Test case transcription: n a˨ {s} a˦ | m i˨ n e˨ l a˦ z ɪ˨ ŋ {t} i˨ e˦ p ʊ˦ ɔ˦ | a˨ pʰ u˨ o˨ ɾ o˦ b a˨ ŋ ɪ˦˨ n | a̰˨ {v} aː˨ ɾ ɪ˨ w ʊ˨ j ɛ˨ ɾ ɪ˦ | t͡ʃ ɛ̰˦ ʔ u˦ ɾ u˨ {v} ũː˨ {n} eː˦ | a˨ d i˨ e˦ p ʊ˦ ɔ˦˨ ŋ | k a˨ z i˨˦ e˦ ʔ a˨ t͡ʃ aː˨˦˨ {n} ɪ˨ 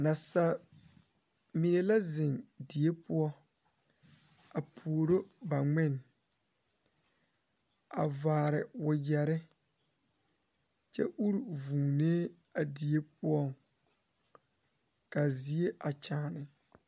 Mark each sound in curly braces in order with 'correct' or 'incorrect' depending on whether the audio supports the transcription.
correct, incorrect, correct, correct, correct, correct

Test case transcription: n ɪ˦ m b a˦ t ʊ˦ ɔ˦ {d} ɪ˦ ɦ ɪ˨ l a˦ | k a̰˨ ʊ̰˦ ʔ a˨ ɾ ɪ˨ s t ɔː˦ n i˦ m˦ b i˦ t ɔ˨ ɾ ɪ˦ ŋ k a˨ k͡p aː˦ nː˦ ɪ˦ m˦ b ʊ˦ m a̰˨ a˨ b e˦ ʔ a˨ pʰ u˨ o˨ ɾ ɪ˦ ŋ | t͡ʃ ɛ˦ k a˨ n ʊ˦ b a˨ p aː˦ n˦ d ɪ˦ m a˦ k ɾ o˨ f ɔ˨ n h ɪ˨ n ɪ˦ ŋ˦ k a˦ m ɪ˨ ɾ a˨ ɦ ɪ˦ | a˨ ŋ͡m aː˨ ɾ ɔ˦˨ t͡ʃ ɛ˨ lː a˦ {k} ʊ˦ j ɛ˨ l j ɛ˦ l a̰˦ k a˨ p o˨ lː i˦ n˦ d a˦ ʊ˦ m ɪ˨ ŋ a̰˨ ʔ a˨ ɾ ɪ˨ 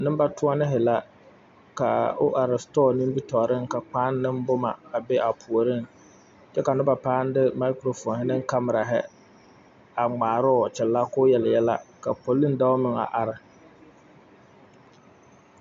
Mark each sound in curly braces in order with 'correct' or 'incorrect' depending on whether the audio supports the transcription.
incorrect, correct

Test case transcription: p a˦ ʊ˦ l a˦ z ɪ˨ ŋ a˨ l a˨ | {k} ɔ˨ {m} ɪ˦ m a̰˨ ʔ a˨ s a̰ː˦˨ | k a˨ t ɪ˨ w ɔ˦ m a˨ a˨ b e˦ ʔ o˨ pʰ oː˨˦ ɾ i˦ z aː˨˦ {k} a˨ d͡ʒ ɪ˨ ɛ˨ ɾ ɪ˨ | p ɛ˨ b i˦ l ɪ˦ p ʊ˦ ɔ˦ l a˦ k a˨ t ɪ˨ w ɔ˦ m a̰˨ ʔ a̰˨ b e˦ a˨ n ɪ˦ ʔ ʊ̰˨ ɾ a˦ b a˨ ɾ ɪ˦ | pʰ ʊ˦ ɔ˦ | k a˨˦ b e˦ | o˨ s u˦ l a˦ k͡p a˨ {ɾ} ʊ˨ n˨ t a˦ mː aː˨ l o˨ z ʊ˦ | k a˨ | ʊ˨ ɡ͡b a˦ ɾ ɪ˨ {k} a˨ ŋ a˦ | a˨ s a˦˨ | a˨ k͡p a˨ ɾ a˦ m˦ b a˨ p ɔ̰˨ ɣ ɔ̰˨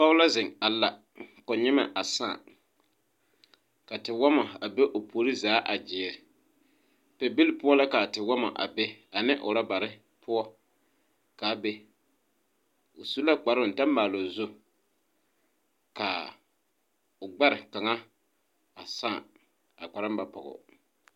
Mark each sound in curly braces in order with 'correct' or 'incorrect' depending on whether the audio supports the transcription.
correct, incorrect, incorrect, correct, correct

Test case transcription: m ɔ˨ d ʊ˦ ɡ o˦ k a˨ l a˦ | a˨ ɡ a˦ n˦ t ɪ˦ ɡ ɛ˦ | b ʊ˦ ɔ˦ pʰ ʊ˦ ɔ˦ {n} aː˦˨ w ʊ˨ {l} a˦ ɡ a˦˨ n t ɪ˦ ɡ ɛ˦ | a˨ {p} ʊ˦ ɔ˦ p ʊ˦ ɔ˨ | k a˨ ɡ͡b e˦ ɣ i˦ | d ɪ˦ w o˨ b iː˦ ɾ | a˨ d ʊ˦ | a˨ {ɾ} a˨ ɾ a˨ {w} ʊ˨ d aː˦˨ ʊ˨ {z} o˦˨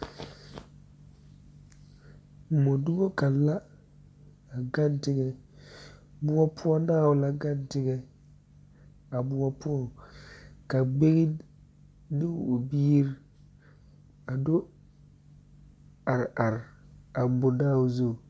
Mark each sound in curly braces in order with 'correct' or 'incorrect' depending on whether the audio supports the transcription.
correct, correct, incorrect, correct, incorrect, correct

